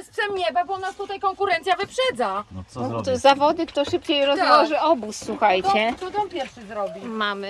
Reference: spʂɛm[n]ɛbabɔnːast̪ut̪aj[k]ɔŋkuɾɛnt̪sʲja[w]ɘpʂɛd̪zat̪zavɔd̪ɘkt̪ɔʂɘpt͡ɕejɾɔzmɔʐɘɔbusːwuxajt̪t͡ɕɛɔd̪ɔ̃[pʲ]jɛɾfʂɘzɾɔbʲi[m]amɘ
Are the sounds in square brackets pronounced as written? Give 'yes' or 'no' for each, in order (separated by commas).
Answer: no, yes, no, yes, yes